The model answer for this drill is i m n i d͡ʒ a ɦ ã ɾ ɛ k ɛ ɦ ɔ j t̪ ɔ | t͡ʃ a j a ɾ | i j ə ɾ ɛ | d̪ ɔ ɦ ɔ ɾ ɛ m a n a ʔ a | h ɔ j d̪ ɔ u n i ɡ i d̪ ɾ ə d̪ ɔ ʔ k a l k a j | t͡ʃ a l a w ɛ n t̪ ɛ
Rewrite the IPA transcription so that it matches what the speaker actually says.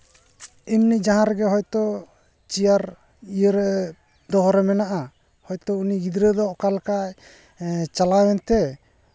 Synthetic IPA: i m n i d͡ʒ a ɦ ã ɾ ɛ ɡ ɛ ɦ ɔ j t̪ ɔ | t͡ʃ i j a ɾ | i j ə ɾ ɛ | d̪ ɔ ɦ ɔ ɾ ɛ m ɛ n a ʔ a | h ɔ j t̪ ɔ u n i ɡ i d̪ ɾ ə d̪ ɔ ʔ k a l k a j | t͡ʃ a l a w ɛ n t̪ ɛ